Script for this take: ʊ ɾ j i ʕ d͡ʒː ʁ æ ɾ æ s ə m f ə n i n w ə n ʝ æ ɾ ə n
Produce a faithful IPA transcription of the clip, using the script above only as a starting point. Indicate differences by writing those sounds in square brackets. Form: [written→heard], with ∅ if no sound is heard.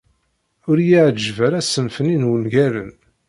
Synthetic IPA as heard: ʊ ɾ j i ʕ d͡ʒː [ʁ→v] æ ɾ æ s ə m f ə n i n w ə n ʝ æ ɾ ə n